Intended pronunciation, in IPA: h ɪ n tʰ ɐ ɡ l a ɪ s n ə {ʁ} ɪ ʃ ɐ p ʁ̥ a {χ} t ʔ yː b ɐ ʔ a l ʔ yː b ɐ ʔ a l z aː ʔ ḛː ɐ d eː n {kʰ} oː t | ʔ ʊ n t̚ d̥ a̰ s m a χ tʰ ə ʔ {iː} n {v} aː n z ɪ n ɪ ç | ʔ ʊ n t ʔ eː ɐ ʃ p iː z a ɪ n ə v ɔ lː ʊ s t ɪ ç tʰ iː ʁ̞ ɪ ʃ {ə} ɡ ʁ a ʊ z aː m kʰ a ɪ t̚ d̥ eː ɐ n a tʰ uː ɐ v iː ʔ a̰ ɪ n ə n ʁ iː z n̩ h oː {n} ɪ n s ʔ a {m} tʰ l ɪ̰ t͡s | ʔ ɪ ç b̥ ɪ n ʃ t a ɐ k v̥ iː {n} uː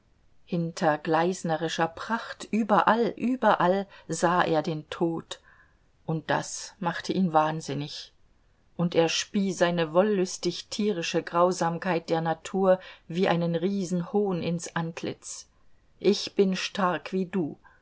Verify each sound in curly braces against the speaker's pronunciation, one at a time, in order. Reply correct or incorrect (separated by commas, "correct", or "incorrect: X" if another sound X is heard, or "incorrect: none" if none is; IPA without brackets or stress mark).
correct, correct, incorrect: tʰ, correct, correct, correct, correct, incorrect: n, incorrect: d